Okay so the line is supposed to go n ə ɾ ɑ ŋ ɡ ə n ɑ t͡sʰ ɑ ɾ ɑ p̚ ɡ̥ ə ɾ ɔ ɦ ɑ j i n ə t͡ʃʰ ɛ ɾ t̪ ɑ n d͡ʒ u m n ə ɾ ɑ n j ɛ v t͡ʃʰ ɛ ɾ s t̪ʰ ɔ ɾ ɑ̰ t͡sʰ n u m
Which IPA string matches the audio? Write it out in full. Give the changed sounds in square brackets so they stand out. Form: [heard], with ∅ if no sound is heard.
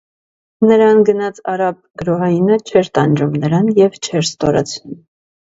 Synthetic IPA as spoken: n ə ɾ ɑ [n] ɡ ə n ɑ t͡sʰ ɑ ɾ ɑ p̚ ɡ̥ ə ɾ ɔ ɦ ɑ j i n ə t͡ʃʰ ɛ ɾ t̪ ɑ n d͡ʒ u m n ə ɾ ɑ n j ɛ v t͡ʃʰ ɛ ɾ s [t̪] ɔ ɾ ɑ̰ t͡sʰ n u m